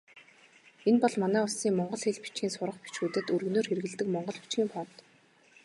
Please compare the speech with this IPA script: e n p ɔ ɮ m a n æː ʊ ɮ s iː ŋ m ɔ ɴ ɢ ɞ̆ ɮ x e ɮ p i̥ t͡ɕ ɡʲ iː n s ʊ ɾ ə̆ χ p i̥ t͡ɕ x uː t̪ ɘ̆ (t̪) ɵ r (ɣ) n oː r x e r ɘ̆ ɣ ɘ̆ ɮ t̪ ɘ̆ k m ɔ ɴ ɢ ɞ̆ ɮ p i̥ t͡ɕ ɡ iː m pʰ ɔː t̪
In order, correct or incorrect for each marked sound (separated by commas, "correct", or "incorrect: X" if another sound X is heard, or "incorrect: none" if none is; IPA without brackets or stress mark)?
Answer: correct, correct